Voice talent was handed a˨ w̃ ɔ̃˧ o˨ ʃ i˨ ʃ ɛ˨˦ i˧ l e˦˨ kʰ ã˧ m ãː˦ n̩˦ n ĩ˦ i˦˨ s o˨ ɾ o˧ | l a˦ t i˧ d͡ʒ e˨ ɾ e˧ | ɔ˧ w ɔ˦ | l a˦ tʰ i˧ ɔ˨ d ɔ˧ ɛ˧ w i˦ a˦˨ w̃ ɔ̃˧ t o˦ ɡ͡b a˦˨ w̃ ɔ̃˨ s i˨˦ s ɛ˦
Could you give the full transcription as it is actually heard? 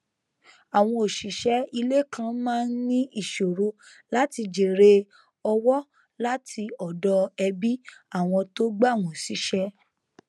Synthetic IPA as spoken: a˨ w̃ ɔ̃˧ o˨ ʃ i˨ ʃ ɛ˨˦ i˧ l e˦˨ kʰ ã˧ m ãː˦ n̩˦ n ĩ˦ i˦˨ ʃ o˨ ɾ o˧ | l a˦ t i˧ d͡ʒ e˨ ɾ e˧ | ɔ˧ w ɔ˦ | l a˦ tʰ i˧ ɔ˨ d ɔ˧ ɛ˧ b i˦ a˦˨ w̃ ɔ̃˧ t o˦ ɡ͡b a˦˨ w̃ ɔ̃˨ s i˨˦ ʃ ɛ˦